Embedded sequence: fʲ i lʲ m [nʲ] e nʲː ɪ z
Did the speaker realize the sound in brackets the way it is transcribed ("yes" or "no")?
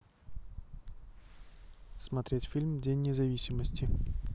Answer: no